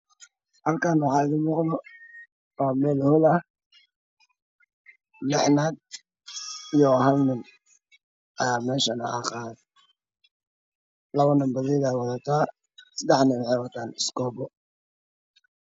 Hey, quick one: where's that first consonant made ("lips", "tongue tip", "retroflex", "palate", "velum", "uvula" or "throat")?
throat